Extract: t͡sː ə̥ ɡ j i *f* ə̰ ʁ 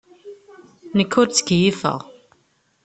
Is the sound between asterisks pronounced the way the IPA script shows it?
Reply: yes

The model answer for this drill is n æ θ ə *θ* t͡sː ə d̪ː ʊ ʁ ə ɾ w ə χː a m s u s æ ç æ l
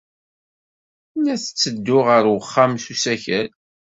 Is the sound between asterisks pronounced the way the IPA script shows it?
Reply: no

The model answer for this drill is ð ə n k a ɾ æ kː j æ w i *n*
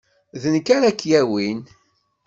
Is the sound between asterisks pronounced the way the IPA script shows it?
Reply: yes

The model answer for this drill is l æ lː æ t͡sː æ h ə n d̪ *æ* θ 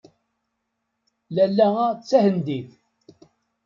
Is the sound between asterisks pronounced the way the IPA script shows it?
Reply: no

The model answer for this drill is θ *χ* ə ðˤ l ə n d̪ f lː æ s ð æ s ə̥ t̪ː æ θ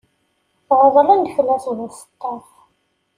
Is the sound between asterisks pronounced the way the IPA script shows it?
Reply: no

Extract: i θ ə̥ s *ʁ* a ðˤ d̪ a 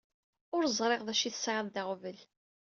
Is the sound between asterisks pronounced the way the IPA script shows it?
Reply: no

